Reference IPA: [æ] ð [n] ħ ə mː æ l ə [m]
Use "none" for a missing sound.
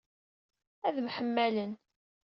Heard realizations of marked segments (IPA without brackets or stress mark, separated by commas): æ, m, n